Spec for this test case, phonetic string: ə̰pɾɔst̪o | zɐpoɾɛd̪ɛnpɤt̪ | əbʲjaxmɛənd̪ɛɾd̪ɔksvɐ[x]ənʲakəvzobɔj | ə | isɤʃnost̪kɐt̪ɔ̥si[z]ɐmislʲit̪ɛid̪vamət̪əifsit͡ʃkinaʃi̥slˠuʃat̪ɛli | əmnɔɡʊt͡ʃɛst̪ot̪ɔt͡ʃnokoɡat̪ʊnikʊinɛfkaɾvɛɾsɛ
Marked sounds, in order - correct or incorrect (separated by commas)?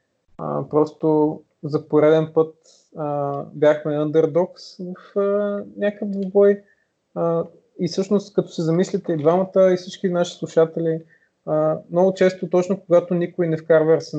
incorrect, correct